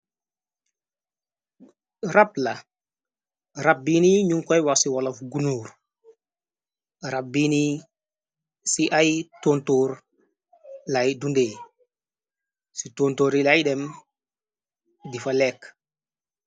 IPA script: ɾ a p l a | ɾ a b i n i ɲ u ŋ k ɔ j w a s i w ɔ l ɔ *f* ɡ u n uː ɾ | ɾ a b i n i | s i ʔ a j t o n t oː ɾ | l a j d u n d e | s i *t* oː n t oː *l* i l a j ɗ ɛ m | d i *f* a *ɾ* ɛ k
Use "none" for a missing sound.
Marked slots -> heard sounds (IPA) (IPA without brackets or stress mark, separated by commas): f, t, ɾ, f, l